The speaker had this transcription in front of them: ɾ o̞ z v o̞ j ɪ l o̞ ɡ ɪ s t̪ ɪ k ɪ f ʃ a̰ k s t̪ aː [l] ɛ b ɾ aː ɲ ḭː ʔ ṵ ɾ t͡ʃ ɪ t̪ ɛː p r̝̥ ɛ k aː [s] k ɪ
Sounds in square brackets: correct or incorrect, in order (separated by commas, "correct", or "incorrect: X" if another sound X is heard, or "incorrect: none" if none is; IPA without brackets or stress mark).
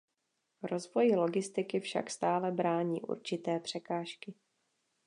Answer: correct, incorrect: ʃ